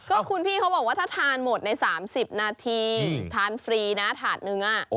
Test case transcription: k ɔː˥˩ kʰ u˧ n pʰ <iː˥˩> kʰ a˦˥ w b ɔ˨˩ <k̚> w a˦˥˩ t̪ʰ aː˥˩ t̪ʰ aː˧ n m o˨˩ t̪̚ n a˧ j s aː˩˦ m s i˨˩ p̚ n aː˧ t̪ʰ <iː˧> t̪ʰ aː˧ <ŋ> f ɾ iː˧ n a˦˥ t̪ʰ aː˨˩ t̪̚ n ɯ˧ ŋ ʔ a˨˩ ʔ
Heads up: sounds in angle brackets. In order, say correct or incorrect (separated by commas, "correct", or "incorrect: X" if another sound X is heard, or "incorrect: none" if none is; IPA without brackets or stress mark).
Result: correct, correct, correct, incorrect: n